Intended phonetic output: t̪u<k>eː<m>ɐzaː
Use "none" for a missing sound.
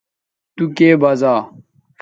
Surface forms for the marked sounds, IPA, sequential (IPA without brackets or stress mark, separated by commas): k, b